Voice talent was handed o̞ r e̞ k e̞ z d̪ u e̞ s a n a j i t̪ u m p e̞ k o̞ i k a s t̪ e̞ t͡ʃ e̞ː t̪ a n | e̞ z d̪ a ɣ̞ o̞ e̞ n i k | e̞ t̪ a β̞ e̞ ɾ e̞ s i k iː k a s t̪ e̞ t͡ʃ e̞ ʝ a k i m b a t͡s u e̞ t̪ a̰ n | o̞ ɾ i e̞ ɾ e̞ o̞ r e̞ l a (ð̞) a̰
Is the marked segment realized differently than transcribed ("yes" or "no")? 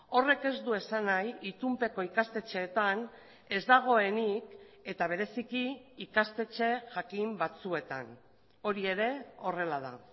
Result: no